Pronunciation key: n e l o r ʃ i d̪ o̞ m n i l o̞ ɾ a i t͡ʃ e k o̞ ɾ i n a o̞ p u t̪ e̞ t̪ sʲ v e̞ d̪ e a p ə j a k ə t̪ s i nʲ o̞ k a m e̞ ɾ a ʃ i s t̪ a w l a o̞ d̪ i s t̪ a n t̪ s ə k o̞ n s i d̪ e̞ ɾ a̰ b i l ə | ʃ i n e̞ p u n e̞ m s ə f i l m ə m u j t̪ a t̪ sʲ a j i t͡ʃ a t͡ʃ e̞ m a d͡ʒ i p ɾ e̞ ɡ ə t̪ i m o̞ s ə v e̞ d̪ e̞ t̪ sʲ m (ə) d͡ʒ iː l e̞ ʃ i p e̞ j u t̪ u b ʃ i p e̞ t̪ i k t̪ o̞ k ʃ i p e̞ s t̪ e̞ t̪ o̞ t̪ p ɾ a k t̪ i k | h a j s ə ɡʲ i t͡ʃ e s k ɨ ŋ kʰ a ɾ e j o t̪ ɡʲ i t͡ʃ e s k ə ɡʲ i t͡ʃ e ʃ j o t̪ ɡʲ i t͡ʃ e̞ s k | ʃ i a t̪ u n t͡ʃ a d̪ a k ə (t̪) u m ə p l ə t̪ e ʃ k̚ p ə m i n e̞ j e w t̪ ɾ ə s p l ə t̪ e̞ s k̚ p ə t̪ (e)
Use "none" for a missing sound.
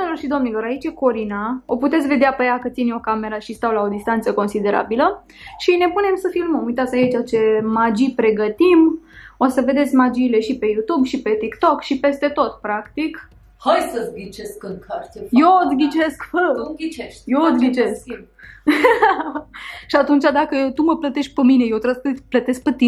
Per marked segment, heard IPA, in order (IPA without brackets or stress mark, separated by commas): a, t̪, i